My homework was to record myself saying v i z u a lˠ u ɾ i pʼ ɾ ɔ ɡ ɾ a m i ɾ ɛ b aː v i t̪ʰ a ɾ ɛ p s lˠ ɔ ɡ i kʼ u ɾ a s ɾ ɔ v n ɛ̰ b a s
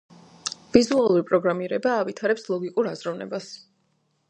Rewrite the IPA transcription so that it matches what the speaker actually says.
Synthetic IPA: v i z u a lˠ u ɾ i pʼ ɾ ɔ ɡ ɾ a m i ɾ ɛ b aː v i t̪ʰ a ɾ ɛ p s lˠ ɔ ɡ i kʼ u ɾ a z ɾ ɔ v n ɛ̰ b a s